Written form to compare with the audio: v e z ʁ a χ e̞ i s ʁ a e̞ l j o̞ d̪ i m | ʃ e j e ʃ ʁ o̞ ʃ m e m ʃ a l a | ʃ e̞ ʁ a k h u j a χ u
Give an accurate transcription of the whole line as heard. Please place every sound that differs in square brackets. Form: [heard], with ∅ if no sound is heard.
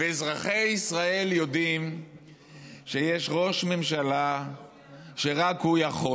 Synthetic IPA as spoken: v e z ʁ a χ e̞ i s ʁ a e̞ l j o̞ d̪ i m | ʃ e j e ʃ ʁ o̞ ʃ m e m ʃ a l a | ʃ e̞ ʁ a k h u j a χ [o]